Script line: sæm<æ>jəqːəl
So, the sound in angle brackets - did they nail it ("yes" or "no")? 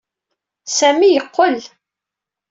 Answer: no